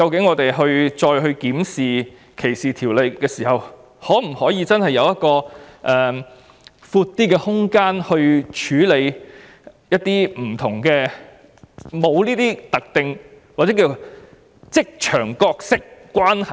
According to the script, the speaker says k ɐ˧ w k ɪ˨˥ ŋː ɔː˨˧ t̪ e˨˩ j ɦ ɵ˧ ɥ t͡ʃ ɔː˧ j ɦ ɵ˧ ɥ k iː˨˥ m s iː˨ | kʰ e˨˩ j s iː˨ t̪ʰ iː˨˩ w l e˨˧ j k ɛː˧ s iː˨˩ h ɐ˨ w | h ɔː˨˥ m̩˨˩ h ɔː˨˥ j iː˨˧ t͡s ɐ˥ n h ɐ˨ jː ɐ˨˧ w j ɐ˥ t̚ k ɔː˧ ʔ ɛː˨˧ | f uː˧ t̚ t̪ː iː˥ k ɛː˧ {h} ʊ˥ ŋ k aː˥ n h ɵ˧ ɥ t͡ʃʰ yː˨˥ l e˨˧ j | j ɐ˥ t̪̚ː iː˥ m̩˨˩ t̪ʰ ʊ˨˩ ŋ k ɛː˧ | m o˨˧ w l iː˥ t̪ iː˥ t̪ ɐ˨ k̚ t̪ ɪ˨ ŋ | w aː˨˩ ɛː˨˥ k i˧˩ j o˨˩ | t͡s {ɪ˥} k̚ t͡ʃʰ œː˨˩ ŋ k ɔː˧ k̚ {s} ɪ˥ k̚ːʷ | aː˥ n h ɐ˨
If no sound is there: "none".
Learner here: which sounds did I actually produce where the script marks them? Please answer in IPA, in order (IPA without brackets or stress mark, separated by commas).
h, ɪ˥, s